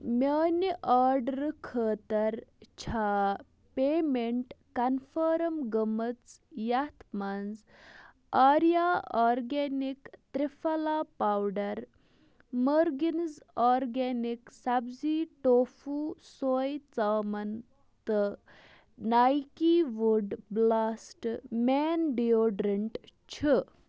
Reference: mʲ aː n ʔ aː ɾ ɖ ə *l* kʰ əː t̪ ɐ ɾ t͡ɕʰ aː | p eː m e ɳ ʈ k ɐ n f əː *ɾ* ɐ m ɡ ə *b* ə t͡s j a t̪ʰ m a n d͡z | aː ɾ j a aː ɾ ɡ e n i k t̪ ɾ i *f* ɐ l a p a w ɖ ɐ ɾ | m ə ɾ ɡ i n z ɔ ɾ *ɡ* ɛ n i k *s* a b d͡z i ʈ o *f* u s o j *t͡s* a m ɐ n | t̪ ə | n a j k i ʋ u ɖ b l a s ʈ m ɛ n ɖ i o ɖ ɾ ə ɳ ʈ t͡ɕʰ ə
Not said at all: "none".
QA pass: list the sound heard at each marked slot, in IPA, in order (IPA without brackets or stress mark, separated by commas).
ɾ, ɾ, m, f, ɡ, s, f, t͡s